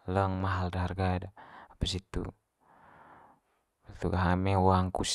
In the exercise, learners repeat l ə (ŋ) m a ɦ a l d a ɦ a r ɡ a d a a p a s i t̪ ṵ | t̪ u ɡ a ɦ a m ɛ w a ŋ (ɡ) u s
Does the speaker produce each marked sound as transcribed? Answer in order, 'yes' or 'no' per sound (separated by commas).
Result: yes, no